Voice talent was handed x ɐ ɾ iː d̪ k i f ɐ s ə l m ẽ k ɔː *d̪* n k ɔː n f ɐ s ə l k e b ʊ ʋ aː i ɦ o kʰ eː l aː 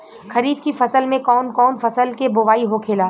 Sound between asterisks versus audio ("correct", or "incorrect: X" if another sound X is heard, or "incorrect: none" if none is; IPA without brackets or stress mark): incorrect: none